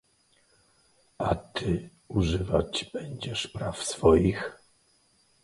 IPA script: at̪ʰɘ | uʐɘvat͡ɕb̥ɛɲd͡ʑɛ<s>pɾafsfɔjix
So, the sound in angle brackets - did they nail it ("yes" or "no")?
no